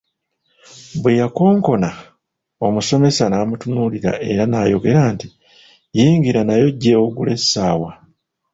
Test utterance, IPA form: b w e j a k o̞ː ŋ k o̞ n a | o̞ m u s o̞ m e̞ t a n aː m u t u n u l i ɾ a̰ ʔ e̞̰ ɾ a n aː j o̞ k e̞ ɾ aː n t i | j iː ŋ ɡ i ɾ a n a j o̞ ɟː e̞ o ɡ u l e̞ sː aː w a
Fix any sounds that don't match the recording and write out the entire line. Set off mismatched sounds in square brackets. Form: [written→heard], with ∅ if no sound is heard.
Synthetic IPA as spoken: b w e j a k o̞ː ŋ k o̞ n a | o̞ m u s o̞ m e̞ [t→s] a n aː m u t u n u l i ɾ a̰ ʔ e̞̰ ɾ a n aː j o̞ [k→ɡ] e̞ ɾ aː n t i | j iː ŋ ɡ i ɾ a n a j o̞ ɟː e̞ o ɡ u l e̞ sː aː w a